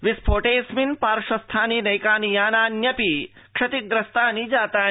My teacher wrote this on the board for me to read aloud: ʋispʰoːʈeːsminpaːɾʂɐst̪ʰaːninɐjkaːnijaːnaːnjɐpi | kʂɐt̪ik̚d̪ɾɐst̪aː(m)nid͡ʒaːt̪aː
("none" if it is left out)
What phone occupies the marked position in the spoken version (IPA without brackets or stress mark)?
none